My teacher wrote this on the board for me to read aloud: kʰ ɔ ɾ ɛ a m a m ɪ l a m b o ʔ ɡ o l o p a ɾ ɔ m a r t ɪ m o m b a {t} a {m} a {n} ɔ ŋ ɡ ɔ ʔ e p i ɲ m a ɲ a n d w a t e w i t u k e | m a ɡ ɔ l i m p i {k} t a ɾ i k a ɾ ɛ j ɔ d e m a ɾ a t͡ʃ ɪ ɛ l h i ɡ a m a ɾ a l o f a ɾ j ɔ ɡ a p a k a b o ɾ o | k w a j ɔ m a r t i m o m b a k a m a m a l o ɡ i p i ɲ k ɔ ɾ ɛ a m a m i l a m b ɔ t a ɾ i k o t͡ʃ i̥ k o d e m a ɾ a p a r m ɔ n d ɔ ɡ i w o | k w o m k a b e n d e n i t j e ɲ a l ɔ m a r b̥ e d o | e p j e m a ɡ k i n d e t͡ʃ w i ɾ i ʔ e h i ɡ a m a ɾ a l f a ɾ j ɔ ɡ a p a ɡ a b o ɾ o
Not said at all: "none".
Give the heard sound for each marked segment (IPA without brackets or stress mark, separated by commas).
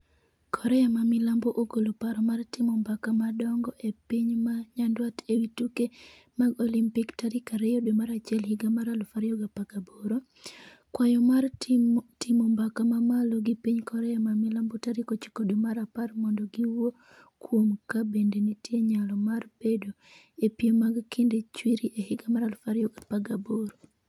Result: k, m, d, k